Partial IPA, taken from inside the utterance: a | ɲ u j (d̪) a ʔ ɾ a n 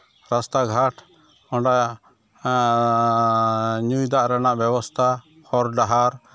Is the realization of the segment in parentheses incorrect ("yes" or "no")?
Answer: no